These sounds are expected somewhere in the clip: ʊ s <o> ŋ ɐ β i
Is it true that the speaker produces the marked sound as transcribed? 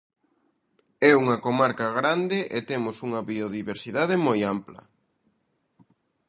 no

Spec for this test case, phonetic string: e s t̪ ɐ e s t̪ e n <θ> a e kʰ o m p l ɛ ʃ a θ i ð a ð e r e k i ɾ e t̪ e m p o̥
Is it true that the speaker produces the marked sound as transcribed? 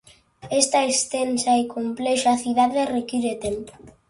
no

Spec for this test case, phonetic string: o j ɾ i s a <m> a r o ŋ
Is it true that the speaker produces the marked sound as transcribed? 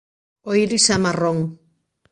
yes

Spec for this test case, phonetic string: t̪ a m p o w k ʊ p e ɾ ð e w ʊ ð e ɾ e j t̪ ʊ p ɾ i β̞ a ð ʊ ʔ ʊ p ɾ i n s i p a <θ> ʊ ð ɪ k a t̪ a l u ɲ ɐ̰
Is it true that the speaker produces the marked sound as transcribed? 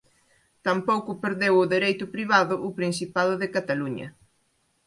no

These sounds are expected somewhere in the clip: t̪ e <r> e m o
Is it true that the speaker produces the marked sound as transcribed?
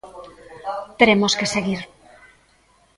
no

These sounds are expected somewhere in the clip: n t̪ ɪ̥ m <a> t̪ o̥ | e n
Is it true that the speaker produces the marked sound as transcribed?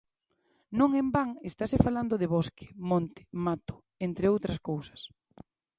yes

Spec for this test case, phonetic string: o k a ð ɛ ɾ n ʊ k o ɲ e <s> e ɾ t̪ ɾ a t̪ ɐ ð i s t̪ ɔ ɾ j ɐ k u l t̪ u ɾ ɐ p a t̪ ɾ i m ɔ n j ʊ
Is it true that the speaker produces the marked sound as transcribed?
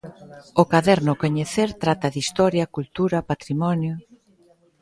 no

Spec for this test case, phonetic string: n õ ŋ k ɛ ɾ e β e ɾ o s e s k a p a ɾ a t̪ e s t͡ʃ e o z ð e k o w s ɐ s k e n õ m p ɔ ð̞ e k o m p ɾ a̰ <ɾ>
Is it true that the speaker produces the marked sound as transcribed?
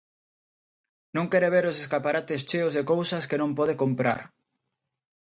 yes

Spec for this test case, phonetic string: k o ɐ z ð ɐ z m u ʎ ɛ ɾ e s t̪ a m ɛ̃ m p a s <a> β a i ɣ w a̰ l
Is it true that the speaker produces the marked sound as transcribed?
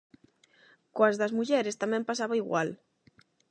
yes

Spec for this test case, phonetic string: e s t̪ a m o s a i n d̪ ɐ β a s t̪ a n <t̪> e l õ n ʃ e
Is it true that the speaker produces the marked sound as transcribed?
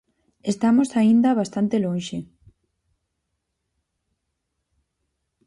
yes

